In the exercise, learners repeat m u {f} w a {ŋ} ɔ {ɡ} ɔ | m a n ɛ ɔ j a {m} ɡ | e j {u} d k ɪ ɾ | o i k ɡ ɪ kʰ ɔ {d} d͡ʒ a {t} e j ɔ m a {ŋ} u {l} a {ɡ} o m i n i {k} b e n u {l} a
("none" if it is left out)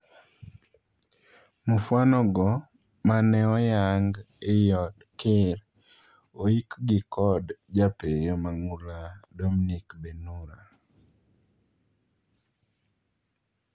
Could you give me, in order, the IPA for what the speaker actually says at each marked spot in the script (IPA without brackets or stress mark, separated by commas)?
f, n, ɡ, ŋ, ɔ, d, p, ŋ, l, d, k, ɾ